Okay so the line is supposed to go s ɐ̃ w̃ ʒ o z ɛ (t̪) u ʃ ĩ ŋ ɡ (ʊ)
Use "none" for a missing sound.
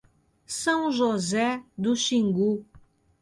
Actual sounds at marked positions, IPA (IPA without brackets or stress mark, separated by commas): d̪, u